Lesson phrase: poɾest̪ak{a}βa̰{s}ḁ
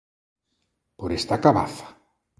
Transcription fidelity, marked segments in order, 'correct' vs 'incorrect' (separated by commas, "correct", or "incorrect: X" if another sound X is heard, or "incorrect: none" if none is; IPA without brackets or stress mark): correct, incorrect: θ